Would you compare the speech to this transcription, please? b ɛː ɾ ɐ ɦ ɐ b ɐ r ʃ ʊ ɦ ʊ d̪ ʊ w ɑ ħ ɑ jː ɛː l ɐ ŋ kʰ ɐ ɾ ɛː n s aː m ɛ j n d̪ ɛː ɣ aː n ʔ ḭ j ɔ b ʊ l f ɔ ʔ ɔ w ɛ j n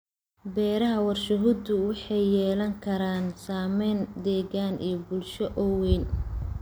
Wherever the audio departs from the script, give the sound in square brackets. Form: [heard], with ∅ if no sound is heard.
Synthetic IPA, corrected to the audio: b ɛː ɾ ɐ ɦ ɐ [w] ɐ r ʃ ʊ ɦ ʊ d̪ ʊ w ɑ ħ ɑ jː ɛː l ɐ ŋ kʰ ɐ ɾ [aː] n s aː m ɛ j n d̪ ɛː ɣ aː n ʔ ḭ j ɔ b ʊ l [ʃ] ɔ ʔ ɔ w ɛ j n